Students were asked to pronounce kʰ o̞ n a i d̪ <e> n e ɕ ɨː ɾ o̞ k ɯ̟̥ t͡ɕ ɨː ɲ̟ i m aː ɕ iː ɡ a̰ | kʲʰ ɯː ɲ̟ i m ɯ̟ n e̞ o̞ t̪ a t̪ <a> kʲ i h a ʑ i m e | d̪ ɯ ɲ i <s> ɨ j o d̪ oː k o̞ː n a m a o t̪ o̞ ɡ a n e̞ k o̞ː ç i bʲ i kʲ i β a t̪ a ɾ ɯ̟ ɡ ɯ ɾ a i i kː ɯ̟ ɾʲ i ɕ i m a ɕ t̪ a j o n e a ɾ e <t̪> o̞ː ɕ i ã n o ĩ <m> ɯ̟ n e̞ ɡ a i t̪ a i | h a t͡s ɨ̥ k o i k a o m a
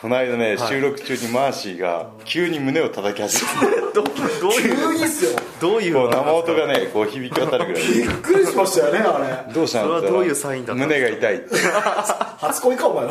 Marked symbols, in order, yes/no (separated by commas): no, yes, yes, no, yes